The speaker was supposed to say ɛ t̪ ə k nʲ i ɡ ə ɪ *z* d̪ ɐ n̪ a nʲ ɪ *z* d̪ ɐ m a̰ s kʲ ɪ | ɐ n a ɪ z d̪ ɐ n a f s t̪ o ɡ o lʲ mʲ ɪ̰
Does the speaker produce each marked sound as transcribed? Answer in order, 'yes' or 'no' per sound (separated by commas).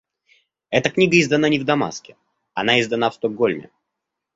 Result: yes, no